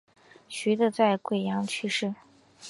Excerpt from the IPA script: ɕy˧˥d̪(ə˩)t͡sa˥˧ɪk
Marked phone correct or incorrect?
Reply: incorrect